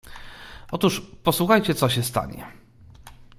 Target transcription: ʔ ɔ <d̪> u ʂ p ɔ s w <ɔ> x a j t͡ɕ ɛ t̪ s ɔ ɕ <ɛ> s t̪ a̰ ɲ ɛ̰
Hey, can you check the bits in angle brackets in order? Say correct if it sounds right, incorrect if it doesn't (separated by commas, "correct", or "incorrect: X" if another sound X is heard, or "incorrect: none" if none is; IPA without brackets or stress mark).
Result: incorrect: t̪, incorrect: u, correct